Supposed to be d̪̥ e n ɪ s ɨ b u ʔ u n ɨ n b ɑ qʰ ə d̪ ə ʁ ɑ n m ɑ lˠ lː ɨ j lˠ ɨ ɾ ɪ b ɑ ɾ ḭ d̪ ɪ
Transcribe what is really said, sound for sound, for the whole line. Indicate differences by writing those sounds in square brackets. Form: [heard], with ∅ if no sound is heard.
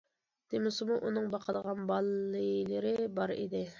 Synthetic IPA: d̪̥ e [m] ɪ s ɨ [m] u ʔ u n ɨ [ŋ] b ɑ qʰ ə d̪ ə ʁ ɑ n [b] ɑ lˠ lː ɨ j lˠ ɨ ɾ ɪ b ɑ ɾ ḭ d̪ ɪ